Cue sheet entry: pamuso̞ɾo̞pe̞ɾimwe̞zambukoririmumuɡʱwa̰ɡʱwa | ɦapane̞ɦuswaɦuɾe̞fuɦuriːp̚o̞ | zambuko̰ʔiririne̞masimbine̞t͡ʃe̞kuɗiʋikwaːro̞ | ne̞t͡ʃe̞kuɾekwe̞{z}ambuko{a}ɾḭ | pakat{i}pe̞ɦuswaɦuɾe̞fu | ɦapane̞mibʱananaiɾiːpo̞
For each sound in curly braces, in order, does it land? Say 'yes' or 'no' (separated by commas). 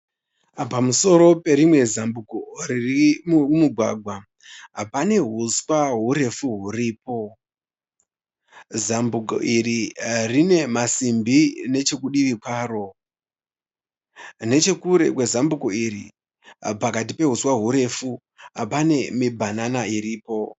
yes, no, yes